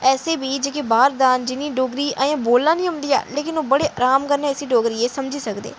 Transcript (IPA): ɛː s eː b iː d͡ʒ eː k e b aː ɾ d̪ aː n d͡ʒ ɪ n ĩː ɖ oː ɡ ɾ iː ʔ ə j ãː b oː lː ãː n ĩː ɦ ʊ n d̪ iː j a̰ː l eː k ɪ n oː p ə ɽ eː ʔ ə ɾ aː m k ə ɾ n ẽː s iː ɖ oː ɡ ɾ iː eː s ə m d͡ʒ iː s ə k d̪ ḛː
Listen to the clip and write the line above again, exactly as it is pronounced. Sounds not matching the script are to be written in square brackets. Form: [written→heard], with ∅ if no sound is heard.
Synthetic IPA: ɛː s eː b iː d͡ʒ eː k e b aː ɾ d̪ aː n d͡ʒ ɪ n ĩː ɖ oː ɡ ɾ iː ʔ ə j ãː b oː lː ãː n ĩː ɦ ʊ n d̪ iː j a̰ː l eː k ɪ n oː [p→b] ə ɽ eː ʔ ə ɾ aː m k ə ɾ n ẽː s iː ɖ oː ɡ ɾ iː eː s ə m d͡ʒ iː s ə k d̪ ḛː